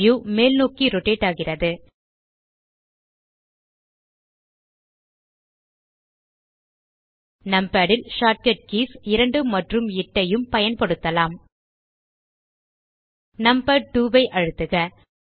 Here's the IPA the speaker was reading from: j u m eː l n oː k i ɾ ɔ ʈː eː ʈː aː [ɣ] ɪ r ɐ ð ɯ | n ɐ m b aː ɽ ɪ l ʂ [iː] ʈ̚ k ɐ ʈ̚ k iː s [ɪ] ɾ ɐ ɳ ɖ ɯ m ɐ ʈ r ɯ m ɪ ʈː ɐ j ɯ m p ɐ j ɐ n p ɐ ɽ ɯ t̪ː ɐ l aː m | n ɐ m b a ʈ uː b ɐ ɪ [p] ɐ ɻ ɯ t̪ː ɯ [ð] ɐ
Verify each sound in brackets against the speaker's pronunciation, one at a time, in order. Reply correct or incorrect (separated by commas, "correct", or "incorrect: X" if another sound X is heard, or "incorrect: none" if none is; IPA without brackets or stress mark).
correct, incorrect: aː, correct, incorrect: ʔ, incorrect: ɣ